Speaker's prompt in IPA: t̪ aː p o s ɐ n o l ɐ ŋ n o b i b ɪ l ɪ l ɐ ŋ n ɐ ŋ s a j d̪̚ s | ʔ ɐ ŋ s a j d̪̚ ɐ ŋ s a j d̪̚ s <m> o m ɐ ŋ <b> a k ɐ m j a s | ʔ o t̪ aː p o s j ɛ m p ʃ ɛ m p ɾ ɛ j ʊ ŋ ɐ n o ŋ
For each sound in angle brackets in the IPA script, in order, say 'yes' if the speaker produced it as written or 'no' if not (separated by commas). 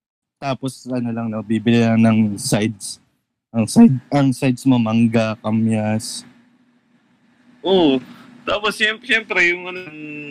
yes, no